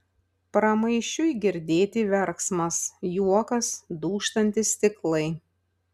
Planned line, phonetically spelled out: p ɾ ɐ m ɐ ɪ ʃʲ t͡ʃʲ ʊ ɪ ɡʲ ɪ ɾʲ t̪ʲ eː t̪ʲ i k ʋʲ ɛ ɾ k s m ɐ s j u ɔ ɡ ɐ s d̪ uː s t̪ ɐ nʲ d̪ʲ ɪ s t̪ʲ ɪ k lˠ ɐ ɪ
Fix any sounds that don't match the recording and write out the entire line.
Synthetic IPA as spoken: p ɾ ɐ m ɐ ɪ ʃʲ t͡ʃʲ ʊ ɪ ɡʲ ɪ ɾʲ d̪ʲ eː t̪ʲ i ʋʲ ɛ ɾ k s m ɐ s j u ɔ k ɐ s d̪ uː ʃ t̪ ɐ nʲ t̪ʲ ɪ s t̪ʲ ɪ k lˠ ɐ ɪ